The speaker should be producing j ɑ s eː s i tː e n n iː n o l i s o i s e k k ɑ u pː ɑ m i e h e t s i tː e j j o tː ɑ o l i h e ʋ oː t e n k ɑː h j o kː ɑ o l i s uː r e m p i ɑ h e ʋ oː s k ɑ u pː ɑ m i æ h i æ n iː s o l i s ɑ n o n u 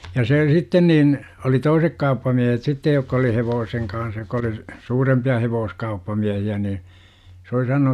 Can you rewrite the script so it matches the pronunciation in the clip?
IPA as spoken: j ɑ s eː s i tː e n n iː n o l i t o i s e k k ɑ u pː ɑ m i e h e t s i tː e j j o kː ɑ o l i h e ʋ oː s e ŋ k ɑː h j o kː ɑ o l i s uː r e m p i ɑ h e ʋ oː s k ɑ u pː ɑ m i æ h i æ n iː s o l i s ɑ n o n u